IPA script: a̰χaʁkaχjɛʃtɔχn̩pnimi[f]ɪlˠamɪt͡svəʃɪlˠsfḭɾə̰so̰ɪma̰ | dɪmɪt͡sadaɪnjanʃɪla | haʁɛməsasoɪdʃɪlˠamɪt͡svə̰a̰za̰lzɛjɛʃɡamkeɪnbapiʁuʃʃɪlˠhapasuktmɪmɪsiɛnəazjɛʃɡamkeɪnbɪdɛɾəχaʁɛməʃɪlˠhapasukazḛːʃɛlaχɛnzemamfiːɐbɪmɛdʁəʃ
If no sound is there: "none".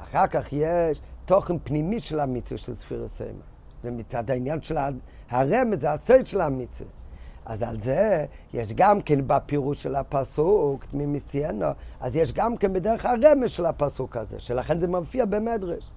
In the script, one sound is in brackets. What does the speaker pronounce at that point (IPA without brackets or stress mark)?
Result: ʃ